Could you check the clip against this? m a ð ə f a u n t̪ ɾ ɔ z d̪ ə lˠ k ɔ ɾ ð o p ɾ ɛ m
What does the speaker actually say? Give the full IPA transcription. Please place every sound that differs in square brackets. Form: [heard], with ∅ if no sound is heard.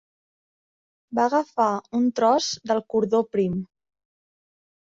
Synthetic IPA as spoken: [b] a [ɣ] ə f a u n t̪ ɾ ɔ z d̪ ə lˠ k [u] ɾ ð o p ɾ [i] m